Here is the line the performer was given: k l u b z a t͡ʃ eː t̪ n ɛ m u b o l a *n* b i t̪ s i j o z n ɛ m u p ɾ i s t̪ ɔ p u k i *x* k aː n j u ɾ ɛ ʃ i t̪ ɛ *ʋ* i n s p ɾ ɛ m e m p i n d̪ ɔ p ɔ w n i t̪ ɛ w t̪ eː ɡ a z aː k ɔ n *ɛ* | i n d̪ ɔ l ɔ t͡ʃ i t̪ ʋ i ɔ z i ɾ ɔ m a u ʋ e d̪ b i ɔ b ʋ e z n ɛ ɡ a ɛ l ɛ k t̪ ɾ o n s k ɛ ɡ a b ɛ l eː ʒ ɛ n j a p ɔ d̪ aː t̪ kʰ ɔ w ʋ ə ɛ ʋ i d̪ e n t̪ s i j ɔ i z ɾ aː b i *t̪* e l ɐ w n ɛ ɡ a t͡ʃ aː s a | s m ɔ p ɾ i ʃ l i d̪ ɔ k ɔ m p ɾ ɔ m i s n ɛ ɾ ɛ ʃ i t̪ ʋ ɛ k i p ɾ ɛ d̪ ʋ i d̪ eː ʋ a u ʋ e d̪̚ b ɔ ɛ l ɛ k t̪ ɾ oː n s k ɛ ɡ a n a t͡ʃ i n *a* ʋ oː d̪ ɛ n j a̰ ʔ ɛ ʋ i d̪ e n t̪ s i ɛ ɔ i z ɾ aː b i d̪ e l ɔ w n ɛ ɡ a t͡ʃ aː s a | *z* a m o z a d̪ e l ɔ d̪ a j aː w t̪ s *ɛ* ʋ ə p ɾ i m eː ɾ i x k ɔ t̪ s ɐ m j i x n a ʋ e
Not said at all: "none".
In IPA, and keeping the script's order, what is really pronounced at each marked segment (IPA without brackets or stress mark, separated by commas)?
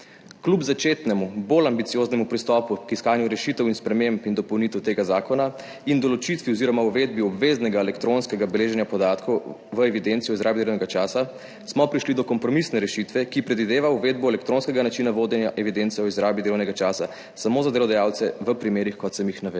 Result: m, s, w, a, d̪, a, s, ɛ